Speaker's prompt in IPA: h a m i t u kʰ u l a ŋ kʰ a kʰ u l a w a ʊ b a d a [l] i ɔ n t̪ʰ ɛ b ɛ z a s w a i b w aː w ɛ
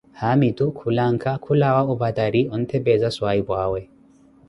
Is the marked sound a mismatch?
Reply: yes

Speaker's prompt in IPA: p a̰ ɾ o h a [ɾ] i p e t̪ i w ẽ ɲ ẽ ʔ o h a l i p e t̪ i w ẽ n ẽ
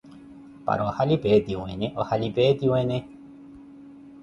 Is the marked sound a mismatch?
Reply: yes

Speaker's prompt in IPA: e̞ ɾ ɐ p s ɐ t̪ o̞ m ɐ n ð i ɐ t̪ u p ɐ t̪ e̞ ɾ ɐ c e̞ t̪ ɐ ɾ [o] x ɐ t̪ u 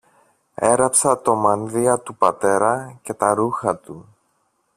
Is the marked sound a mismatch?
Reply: yes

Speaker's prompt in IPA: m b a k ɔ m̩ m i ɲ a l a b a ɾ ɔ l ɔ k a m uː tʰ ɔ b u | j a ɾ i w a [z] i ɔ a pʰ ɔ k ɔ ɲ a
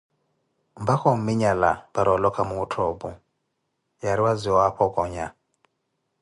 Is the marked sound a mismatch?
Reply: no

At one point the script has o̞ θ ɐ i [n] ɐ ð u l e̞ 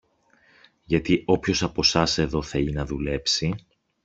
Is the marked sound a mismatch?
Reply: no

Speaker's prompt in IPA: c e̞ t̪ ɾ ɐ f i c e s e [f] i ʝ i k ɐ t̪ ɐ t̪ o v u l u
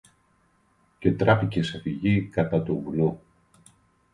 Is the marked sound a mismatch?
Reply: no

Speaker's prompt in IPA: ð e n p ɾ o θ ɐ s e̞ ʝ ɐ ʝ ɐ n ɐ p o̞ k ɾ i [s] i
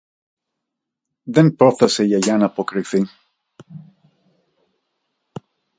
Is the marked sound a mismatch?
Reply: yes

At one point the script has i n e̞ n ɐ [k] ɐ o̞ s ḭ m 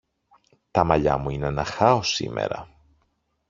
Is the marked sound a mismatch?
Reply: yes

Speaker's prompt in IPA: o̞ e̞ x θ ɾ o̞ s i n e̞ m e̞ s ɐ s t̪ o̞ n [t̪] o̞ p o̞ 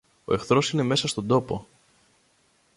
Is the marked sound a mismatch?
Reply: yes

